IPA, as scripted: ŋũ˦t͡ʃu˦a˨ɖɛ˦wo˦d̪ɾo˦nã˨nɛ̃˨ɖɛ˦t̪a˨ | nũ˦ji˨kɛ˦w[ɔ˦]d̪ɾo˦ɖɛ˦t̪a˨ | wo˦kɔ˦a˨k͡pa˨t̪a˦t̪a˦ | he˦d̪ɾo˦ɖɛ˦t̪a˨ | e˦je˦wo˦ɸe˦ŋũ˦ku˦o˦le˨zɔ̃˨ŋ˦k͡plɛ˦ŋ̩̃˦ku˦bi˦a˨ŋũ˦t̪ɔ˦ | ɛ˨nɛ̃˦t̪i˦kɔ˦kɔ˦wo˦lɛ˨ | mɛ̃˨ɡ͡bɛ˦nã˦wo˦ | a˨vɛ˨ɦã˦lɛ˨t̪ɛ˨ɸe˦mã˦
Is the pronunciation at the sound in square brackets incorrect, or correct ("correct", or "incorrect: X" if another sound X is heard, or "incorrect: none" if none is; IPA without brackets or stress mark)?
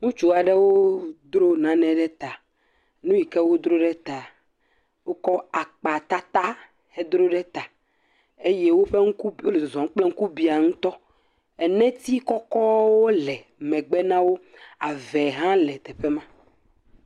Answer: incorrect: o˦